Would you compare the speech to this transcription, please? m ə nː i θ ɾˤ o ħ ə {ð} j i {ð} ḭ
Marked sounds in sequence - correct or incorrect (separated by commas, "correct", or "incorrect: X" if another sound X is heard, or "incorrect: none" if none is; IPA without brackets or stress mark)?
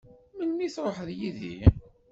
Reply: correct, correct